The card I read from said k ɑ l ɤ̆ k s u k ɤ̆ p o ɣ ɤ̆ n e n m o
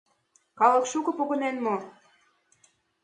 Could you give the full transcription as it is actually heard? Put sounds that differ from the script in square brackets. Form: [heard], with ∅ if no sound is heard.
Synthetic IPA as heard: k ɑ l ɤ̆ k [ʃ] u k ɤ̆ p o ɣ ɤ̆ n e n m o